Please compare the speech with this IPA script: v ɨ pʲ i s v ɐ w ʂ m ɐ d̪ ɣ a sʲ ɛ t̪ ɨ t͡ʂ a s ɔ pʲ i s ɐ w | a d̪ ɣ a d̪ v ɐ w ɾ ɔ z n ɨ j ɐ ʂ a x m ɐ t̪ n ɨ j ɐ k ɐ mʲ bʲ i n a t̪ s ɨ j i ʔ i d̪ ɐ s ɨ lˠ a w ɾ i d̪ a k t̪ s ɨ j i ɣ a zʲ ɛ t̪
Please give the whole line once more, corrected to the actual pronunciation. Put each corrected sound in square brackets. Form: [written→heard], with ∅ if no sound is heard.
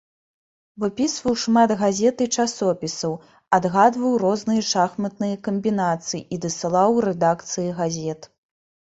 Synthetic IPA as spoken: v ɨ pʲ i s v ɐ w ʂ m [ɐ→a] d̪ ɣ a [sʲ→zʲ] ɛ t̪ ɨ t͡ʂ a s ɔ pʲ i s ɐ w | a d̪ ɣ a d̪ v ɐ w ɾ ɔ z n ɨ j ɐ ʂ a x m ɐ t̪ n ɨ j ɐ k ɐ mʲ bʲ i n a t̪ s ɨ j i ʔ i d̪ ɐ s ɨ lˠ a w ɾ [i→ɛ] d̪ a k t̪ s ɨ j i ɣ a zʲ ɛ t̪